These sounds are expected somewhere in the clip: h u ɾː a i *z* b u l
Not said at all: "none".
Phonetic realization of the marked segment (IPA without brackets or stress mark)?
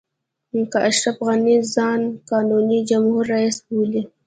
s